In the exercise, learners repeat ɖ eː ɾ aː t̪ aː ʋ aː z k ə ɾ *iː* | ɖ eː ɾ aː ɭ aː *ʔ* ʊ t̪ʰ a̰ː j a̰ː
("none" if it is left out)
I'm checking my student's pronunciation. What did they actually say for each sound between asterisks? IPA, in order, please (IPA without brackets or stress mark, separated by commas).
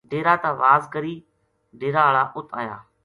iː, ʔ